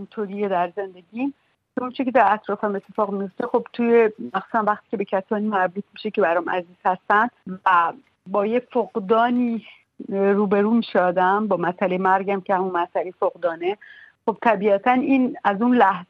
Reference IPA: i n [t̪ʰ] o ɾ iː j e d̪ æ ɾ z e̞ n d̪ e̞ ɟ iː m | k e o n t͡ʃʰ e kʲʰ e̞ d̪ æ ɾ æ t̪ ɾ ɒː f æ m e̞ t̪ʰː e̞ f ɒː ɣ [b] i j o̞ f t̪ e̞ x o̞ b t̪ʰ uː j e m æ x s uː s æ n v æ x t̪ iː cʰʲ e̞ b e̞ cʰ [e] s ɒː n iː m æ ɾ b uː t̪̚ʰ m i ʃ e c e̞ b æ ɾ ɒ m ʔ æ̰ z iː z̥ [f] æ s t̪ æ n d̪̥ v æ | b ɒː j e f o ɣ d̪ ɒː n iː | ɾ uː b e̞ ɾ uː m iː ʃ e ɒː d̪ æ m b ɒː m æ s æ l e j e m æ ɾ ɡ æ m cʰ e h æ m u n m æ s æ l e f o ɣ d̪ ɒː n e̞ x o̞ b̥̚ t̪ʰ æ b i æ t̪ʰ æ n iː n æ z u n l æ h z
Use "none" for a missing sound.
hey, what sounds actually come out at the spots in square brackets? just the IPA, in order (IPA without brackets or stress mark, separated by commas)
t̪ʰ, m, æ, h